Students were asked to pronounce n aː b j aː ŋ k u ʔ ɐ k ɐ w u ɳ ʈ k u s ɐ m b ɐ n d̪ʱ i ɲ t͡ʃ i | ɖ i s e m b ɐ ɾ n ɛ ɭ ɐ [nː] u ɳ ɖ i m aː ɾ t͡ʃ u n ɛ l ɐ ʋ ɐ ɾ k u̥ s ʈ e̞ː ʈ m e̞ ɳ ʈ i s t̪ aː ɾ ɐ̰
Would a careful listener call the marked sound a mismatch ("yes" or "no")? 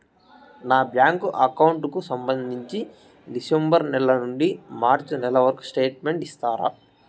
yes